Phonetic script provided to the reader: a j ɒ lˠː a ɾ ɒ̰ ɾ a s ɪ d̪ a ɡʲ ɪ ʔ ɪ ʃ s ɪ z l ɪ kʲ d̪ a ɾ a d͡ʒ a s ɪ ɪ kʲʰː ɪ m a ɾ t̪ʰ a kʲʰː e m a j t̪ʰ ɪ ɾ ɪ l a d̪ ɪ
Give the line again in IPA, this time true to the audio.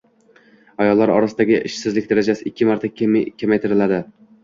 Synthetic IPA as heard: a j ɒ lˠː a ɾ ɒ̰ ɾ a s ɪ d̪ a ɡʲ ɪ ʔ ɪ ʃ s ɪ z l ɪ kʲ d̪ a ɾ a d͡ʒ a s ɪ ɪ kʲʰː ɪ m a ɾ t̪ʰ a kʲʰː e m a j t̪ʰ ɪ ɾ ɪ l a d̪ ɪ